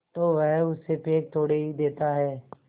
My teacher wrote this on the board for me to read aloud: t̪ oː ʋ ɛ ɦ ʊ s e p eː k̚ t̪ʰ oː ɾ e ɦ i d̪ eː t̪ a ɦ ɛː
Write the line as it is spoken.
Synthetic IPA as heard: t̪ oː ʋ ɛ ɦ ʊ s e p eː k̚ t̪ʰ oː ɽ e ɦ i d̪ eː t̪ a ɦ ɛː